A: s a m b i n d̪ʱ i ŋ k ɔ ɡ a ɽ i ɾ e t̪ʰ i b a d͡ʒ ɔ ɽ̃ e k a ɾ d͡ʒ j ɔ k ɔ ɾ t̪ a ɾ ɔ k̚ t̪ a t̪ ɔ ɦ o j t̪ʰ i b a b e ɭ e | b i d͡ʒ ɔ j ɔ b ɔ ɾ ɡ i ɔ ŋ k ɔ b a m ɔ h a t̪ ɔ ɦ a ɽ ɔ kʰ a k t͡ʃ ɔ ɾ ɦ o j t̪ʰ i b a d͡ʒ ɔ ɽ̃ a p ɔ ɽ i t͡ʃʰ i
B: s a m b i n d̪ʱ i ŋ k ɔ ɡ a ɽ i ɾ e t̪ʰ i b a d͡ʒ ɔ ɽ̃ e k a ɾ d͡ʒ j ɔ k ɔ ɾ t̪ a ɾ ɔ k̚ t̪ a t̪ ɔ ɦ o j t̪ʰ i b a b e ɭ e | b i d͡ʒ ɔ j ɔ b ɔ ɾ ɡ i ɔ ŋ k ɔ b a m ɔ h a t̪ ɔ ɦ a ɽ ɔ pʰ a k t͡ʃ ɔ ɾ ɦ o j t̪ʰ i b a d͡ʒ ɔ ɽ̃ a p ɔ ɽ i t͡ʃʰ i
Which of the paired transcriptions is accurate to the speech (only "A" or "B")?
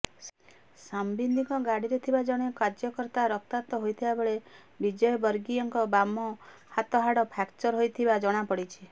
B